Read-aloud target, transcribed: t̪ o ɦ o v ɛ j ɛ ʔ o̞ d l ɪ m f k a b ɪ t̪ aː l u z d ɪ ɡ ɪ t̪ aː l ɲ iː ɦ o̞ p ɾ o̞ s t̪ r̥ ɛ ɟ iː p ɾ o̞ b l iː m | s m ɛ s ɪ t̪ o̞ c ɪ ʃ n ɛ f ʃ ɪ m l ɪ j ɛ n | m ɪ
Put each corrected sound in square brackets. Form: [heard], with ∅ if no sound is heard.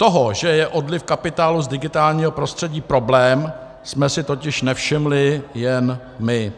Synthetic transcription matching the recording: t̪ o ɦ o [ʒ] ɛ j ɛ ʔ o̞ d l ɪ [∅] f k a [p] ɪ t̪ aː l u z d ɪ ɡ ɪ t̪ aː l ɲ iː ɦ o̞ p ɾ o̞ s t̪ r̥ ɛ ɟ iː p ɾ o̞ b l [ɛː] m | s m ɛ s ɪ t̪ o̞ c ɪ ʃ n ɛ f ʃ ɪ m l ɪ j ɛ n | m ɪ